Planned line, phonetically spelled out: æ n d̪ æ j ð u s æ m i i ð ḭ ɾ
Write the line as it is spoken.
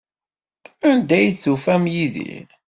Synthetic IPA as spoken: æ n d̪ æ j θ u f æ m j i ð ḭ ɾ